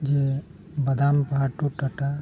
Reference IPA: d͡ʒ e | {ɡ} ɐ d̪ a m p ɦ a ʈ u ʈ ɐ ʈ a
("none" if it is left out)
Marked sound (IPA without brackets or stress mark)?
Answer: b